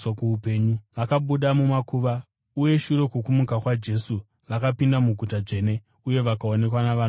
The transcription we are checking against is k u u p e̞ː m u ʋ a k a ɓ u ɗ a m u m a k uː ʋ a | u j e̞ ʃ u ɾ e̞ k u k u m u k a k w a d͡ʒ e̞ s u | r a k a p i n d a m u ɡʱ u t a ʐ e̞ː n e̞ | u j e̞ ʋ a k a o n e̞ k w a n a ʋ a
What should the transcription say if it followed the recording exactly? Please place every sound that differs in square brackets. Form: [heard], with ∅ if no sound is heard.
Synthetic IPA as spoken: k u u p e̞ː [ɲ] u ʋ a k a ɓ u ɗ a m u m a k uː ʋ a | u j e̞ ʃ u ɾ e̞ k u k u m u k a k w a d͡ʒ e̞ s u | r a k a p i n d a m u ɡʱ u t a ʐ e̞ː n e̞ | u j e̞ ʋ a k a o n e̞ k w a n a ʋ a